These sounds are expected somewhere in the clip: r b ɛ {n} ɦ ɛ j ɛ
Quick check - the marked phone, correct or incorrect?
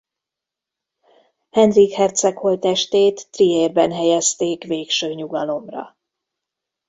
correct